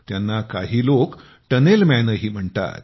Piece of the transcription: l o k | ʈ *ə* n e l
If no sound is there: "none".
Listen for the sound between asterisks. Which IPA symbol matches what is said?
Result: ə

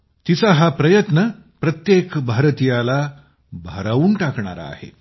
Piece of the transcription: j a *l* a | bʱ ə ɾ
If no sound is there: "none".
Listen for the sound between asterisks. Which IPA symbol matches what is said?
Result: l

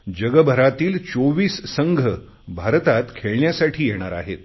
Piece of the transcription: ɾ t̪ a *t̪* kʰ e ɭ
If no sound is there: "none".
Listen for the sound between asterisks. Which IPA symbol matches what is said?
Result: t̪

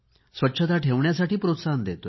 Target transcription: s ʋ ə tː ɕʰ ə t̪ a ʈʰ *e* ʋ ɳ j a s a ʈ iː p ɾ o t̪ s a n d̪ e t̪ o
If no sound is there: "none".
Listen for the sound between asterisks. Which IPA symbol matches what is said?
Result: e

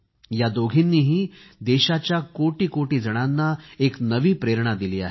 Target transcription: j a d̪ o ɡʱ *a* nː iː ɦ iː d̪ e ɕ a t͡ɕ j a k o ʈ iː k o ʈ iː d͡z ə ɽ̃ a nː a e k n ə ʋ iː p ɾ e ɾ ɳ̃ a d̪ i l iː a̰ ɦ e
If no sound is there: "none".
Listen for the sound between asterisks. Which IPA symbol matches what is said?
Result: i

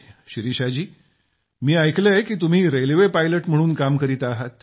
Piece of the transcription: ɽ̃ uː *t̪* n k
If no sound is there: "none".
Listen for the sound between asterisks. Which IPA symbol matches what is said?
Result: none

